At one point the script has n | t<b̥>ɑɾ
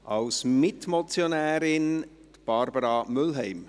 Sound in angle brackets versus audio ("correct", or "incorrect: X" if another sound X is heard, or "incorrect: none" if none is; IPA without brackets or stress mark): correct